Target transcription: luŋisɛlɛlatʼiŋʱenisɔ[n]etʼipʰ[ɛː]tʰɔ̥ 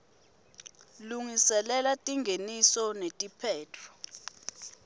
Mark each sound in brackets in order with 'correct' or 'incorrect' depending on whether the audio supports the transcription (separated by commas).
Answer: correct, correct